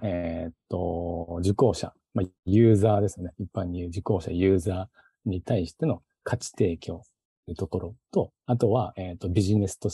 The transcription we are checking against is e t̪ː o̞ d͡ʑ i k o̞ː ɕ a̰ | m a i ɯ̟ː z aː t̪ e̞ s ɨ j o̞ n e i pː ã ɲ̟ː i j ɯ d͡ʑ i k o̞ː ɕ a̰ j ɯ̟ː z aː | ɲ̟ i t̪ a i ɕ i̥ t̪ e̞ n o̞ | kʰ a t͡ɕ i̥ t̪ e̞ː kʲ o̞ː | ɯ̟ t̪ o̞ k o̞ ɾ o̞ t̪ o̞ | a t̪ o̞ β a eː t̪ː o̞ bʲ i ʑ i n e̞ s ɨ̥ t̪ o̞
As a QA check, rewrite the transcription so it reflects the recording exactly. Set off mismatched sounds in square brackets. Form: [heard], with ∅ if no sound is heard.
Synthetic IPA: e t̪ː o̞ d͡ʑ i k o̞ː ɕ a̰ | m a [j] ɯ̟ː z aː [d̪] e̞ s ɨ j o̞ n e i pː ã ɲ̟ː i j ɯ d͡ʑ i k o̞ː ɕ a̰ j ɯ̟ː z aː | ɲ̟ i t̪ a i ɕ i̥ t̪ e̞ n o̞ | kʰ a t͡ɕ i̥ t̪ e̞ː kʲ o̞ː | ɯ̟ t̪ o̞ k o̞ ɾ o̞ t̪ o̞ | a t̪ o̞ β a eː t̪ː o̞ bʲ i ʑ i n e̞ s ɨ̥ t̪ o̞